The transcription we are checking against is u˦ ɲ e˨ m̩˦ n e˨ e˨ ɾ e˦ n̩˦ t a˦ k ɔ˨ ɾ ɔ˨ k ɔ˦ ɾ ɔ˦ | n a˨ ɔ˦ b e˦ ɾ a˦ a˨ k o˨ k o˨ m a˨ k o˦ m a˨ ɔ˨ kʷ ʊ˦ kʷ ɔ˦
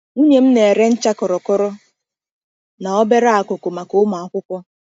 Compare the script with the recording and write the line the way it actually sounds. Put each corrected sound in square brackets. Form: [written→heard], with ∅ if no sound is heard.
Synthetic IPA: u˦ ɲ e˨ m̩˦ n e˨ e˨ ɾ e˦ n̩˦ [t→t͡ʃ] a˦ k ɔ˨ ɾ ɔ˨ k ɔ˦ ɾ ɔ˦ | n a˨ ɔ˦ b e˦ ɾ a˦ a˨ k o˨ k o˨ m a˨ k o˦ m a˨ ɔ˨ kʷ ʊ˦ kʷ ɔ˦